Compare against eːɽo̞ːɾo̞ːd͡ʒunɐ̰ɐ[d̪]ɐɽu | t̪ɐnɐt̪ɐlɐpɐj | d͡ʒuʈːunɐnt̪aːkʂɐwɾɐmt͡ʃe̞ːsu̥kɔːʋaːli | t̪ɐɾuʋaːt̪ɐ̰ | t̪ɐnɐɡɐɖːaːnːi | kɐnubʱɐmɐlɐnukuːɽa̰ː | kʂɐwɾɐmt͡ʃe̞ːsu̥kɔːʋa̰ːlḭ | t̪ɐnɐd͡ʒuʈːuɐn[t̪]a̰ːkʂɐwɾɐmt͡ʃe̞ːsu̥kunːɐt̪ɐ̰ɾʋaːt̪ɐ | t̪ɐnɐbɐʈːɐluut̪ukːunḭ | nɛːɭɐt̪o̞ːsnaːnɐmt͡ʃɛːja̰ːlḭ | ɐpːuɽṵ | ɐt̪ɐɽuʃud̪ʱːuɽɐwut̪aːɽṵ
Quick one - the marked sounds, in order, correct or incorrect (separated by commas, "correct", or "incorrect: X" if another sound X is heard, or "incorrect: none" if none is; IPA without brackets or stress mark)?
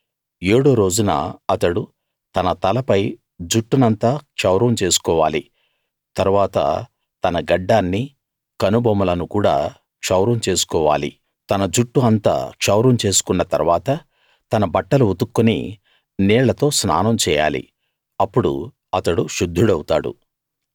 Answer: incorrect: t̪, correct